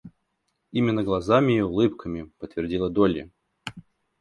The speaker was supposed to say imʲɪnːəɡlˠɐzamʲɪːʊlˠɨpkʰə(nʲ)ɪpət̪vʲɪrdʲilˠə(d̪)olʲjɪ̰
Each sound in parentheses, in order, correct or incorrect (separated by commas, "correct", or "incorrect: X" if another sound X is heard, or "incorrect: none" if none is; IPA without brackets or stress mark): incorrect: mʲ, correct